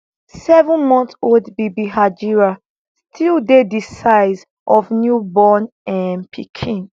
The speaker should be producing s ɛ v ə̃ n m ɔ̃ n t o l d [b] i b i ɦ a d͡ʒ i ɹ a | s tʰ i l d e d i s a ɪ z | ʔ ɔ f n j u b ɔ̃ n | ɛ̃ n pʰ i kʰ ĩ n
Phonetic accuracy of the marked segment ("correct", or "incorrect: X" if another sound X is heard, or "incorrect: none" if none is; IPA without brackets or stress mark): correct